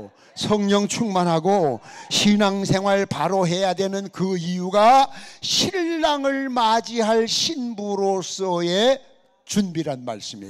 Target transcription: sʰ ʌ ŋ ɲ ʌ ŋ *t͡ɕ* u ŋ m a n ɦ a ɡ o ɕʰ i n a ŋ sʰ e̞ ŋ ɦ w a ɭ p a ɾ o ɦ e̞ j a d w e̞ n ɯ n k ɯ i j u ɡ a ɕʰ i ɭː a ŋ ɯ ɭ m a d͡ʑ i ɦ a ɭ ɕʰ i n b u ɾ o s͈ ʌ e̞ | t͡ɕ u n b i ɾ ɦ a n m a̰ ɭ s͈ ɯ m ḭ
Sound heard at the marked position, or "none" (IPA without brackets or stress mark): t͡ɕʰ